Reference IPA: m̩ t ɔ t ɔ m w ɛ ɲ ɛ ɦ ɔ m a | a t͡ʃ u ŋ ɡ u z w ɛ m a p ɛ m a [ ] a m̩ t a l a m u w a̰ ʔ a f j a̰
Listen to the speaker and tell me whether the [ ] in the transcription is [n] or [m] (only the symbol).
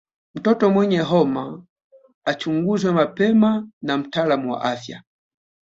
n